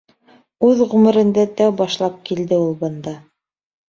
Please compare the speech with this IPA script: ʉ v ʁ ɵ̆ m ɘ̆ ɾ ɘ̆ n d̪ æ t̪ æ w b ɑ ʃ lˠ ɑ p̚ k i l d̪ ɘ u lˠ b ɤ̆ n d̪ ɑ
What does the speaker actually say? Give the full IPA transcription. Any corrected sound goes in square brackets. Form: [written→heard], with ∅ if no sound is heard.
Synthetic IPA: ʉ [v→ð] ʁ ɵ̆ m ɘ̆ ɾ ɘ̆ n d̪ æ t̪ æ w b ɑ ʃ lˠ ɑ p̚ k i l d̪ ɘ u lˠ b ɤ̆ n d̪ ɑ